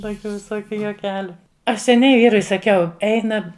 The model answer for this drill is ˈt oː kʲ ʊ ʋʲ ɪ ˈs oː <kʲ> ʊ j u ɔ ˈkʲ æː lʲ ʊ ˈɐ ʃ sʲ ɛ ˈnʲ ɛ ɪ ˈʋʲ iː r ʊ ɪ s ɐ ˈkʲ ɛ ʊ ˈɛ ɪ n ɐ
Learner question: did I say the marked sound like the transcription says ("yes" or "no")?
yes